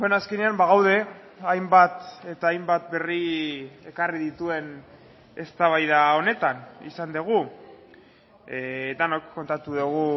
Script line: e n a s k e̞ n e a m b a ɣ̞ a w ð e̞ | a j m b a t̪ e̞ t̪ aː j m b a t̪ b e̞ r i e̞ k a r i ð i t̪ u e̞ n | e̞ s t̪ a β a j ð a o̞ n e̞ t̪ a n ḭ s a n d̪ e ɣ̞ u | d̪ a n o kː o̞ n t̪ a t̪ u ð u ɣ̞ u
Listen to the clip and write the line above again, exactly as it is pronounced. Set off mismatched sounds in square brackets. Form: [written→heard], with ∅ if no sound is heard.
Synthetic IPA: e n a s k e̞ n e a m b a ɣ̞ a w ð e̞ | a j m b a t̪ e̞ t̪ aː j m b a t̪ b e̞ r i e̞ k a r i ð i t̪ u e̞ n | e̞ s t̪ a β a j ð a o̞ n e̞ t̪ a n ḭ s a n d̪ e ɣ̞ u | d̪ a n o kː o̞ n t̪ a t̪ u ð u ɣ̞ u